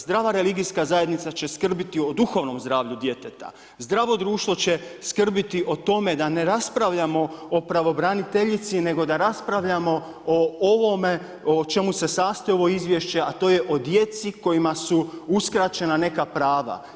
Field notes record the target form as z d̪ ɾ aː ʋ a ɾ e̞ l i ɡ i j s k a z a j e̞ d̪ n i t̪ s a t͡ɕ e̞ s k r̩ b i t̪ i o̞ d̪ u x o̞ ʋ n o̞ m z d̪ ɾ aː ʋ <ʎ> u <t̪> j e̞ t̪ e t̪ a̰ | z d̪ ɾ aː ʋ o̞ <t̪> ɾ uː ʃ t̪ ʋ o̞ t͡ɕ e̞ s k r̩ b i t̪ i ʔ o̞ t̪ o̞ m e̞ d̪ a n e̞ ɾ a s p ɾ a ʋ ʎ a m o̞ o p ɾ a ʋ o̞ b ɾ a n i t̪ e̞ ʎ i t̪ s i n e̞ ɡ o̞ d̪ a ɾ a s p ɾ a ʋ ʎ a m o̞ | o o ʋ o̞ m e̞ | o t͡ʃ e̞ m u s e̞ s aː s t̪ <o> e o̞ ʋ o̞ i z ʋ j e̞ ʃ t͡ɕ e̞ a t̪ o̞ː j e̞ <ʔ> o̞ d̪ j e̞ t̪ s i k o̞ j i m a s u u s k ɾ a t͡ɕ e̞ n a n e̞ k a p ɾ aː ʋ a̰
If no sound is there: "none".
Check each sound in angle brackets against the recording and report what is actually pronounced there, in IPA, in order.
ʎ, d̪, d̪, o, ʔ

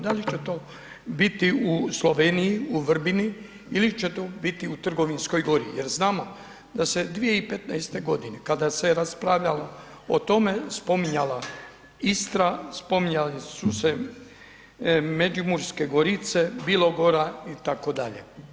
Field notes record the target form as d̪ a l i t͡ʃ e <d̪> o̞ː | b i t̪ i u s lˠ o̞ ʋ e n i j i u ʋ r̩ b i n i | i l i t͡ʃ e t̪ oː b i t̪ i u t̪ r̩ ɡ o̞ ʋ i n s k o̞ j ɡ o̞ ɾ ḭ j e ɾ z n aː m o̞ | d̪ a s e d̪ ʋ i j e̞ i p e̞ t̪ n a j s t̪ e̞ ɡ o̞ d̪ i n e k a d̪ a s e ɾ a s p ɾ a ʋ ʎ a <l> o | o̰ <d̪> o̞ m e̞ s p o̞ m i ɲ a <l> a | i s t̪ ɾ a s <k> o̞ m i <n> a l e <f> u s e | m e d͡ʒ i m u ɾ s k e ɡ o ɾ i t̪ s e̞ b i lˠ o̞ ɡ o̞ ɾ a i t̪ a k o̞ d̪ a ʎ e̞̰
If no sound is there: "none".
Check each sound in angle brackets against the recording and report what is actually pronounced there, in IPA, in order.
t̪, l, t̪, l, p, ɲ, s

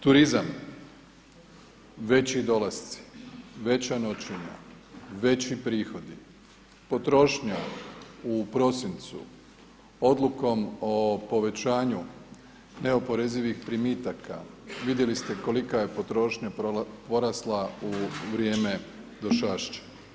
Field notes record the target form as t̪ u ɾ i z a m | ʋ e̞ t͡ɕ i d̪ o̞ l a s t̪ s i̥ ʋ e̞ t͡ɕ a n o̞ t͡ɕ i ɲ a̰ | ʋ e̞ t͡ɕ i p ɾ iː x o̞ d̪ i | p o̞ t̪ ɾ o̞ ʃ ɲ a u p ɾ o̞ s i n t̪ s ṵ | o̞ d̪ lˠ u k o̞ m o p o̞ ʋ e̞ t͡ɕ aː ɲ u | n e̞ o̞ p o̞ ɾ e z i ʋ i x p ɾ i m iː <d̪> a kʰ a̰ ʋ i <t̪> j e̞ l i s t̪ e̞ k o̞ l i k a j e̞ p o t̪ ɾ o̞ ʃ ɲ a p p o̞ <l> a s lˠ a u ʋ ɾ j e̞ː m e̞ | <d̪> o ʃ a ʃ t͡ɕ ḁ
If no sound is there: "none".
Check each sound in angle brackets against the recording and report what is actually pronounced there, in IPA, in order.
t̪, d̪, ɾ, d̪

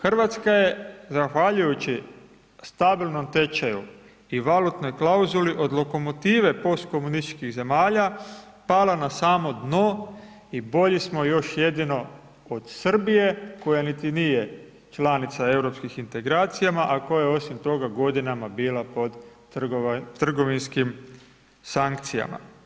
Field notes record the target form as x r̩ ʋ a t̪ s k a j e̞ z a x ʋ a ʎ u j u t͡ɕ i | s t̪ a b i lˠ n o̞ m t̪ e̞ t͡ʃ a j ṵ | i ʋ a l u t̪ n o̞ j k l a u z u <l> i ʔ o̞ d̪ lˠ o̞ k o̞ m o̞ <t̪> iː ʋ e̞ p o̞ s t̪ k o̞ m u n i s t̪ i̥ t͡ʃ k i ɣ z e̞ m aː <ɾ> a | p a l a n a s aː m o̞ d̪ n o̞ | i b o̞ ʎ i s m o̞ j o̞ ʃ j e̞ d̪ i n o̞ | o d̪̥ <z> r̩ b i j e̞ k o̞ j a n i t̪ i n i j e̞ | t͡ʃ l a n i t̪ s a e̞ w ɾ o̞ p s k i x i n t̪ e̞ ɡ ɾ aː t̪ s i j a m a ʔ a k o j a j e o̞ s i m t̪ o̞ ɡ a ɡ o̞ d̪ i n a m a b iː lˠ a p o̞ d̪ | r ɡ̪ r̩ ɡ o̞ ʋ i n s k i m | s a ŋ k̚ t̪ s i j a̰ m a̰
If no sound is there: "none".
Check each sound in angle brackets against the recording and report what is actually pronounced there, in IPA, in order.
l, t̪, ʎ, s

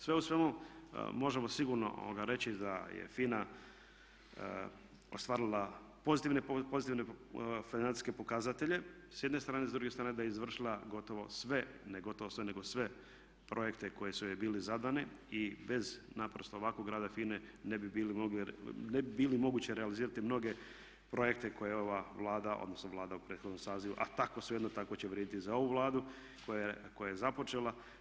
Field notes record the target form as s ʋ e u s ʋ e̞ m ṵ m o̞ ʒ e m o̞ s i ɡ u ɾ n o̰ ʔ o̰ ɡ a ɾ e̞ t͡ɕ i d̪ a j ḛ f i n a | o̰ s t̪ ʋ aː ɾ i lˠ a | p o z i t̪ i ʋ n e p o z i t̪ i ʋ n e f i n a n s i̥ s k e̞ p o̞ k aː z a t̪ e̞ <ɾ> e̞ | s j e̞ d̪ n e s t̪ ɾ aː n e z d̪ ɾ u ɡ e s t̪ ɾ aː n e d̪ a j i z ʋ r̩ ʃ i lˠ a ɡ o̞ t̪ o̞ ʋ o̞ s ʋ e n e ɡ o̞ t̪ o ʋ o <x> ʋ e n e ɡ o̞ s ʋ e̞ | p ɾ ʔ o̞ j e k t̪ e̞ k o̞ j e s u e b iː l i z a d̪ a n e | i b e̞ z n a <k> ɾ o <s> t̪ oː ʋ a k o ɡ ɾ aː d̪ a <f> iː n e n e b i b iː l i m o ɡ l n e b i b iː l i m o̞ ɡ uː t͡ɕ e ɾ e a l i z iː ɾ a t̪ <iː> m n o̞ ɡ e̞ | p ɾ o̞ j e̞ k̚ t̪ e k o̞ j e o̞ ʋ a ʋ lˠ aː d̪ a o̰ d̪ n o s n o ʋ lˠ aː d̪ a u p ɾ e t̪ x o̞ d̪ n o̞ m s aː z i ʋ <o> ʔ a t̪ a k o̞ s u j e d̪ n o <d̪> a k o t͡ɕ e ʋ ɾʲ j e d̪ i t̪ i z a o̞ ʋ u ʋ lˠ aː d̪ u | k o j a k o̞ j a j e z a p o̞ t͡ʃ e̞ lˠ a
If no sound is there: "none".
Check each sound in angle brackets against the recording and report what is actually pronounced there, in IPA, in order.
ʎ, s, p, s, f, i, u, t̪

